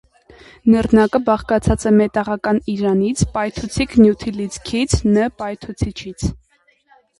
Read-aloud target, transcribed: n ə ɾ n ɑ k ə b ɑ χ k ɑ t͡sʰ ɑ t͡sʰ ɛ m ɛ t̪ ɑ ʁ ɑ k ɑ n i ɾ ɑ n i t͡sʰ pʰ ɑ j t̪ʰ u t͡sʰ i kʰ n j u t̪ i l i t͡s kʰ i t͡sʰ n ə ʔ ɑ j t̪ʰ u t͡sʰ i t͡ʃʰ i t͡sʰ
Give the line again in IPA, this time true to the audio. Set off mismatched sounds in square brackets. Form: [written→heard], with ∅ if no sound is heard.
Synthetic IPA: n ə ɾ n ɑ k ə b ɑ χ k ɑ t͡sʰ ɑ [t͡sʰ→t͡s] ɛ m ɛ t̪ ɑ ʁ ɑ k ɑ n i ɾ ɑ n i t͡sʰ [pʰ→p] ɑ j t̪ʰ u t͡sʰ i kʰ n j u [t̪→t̪ʰ] i l i t͡s kʰ i t͡sʰ n ə [ʔ→p] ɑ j t̪ʰ u t͡sʰ i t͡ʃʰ i t͡sʰ